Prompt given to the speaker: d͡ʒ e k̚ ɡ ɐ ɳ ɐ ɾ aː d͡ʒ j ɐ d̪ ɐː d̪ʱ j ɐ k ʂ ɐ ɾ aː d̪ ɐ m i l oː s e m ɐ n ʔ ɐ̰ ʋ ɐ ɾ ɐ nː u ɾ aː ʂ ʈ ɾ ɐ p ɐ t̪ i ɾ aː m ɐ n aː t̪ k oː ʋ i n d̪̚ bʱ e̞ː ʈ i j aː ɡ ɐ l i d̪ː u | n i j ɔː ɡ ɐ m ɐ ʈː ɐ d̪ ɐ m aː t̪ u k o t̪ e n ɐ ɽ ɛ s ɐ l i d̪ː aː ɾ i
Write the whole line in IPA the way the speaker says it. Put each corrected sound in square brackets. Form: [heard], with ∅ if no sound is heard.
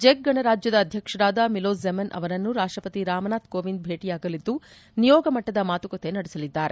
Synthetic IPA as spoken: d͡ʒ e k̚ ɡ ɐ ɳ ɐ ɾ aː d͡ʒ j ɐ d̪ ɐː d̪ʱ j ɐ k ʂ ɐ ɾ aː d̪ ɐ m i l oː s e m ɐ n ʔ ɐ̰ ʋ ɐ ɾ ɐ nː u ɾ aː ʂ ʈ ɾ ɐ p ɐ t̪ i ɾ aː m ɐ n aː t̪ k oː ʋ i n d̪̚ bʱ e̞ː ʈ i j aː ɡ ɐ l i d̪ː u | n i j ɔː ɡ ɐ m ɐ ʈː ɐ d̪ ɐ m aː t̪ u k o t̪ e n ɐ ɽ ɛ s ɐ l i d̪ː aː ɾ [e]